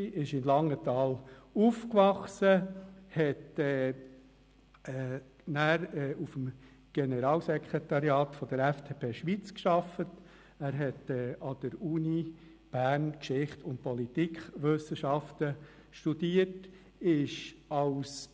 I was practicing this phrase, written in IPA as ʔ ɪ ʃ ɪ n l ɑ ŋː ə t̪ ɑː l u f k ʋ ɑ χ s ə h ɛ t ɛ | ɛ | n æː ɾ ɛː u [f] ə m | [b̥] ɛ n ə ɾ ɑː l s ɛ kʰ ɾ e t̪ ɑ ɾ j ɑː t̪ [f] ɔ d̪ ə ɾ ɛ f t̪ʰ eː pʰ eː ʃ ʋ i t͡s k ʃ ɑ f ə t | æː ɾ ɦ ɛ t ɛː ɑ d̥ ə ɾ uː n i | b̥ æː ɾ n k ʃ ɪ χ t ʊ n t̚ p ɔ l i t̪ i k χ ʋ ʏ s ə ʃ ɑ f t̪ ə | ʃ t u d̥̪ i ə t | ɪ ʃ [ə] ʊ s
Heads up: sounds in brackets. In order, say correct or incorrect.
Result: correct, incorrect: ɡ̥, correct, incorrect: ɑ

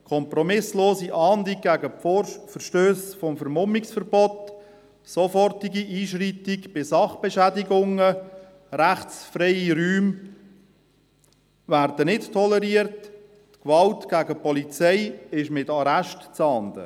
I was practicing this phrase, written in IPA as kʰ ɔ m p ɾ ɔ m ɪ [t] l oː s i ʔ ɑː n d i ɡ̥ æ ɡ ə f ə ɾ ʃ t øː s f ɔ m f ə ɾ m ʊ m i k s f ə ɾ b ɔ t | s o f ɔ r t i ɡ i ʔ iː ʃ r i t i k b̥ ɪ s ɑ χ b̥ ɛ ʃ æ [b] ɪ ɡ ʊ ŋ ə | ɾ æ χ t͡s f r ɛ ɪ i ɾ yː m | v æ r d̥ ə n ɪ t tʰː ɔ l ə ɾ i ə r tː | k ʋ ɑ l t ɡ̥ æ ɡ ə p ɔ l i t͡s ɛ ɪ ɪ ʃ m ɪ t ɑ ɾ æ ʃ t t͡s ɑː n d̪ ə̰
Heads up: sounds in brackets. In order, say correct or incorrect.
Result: incorrect: s, incorrect: d

